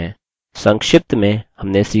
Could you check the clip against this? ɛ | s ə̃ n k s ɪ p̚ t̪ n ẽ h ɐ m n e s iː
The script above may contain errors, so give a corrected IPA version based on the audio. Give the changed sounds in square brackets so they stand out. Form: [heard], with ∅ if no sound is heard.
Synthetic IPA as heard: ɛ | s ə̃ [ŋ] k [ʃ] ɪ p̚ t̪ [m] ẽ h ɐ m n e s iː